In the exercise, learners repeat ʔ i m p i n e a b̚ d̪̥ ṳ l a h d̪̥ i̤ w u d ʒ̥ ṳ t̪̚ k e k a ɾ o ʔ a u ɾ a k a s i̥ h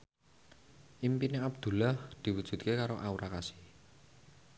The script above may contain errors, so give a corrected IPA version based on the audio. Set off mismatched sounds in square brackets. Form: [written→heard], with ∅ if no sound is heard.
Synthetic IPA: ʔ i m p i n e a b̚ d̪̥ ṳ l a h d̪̥ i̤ w u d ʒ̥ ṳ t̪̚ k e k a ɾ o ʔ a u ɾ a k a s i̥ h